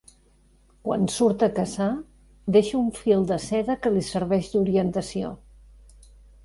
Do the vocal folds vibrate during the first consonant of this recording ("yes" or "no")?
no